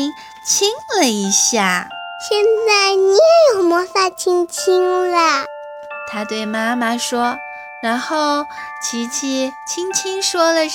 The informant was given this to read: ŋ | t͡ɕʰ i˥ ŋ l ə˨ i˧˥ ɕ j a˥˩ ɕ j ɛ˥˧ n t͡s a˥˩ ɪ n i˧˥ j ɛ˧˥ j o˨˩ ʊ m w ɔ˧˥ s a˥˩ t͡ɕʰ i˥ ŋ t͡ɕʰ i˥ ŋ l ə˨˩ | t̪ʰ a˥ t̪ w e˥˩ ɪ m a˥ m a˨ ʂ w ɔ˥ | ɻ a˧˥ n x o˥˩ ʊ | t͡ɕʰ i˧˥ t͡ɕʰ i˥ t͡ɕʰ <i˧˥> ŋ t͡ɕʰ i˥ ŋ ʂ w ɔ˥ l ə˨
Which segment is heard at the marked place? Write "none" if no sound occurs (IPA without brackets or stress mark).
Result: i˥